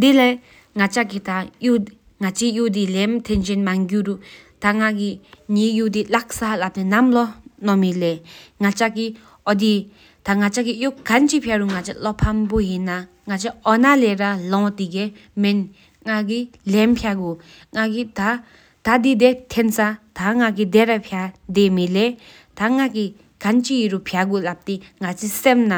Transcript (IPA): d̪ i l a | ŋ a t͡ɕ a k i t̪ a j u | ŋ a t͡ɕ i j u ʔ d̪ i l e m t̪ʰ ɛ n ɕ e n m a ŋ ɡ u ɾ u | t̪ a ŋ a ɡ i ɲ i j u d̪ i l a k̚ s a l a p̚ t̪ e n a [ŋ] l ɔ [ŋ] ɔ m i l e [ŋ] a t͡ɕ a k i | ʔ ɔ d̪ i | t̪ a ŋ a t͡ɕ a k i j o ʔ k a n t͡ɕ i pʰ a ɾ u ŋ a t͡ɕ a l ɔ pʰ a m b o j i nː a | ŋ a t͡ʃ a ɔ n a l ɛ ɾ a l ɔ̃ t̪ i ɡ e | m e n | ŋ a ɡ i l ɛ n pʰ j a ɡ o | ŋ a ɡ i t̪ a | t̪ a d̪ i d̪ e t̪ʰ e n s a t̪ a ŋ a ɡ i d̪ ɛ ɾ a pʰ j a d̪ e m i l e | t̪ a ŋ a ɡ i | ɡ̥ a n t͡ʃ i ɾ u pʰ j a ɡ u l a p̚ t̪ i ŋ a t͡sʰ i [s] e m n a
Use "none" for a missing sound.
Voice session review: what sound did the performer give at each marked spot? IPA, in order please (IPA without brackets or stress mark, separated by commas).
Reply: m, n, ŋ, s